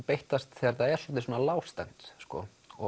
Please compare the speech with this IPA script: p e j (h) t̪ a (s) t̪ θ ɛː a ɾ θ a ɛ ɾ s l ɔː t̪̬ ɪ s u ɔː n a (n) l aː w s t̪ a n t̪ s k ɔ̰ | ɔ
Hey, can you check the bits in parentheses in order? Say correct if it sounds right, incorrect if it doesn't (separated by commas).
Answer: correct, correct, incorrect